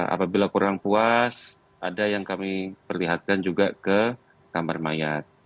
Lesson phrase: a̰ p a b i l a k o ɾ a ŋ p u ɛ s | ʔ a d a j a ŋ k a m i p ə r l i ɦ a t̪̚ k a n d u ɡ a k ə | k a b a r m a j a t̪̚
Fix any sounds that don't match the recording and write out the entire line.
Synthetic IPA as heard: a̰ p a b i l a k u ɾ a ŋ p u a s | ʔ a d a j a ŋ k a m i p ə r l i ɦ a t̪̚ k a n d͡ʒ u ɡ a k ə | k a m a r m a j a t̪̚